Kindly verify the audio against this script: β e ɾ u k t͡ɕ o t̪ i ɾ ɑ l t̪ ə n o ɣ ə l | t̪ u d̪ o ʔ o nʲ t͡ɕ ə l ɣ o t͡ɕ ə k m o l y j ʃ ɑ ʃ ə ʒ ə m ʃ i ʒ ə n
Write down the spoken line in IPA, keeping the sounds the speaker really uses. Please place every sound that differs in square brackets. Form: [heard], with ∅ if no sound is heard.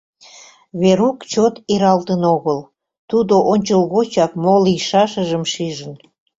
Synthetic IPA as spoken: β e ɾ u k t͡ɕ o t̪ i ɾ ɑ l t̪ ə n o ɣ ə l | t̪ u d̪ o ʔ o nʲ t͡ɕ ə l ɣ o t͡ɕ [ɑ] k m o l [i] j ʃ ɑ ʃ ə ʒ ə m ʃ i ʒ ə n